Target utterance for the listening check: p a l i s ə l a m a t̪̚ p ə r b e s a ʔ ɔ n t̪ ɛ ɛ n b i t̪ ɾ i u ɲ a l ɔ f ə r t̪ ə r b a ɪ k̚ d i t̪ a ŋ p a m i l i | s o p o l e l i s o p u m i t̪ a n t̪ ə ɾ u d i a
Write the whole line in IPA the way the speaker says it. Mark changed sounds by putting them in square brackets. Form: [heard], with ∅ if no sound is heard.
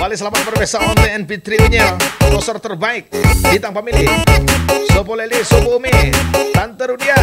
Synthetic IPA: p a l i s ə l a m a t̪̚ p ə r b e s a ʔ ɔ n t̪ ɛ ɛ n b i t̪ ɾ i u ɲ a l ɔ [s] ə r t̪ ə r b a ɪ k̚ d i t̪ a ŋ p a m i l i | s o p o l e l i s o p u m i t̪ a n t̪ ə ɾ u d i a